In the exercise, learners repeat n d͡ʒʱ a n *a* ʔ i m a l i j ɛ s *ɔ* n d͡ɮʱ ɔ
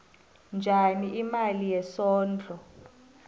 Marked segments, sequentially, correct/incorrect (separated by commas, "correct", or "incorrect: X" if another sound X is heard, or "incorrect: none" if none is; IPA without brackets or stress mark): incorrect: i, incorrect: ɔː